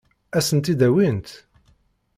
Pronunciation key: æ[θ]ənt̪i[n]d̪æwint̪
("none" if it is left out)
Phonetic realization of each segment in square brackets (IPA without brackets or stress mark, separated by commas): s, none